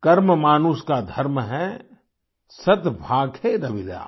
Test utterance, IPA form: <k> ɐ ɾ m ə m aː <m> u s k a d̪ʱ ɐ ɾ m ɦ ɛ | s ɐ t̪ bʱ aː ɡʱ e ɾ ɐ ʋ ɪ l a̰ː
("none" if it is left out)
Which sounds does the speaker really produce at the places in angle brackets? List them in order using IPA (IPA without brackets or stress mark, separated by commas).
k, n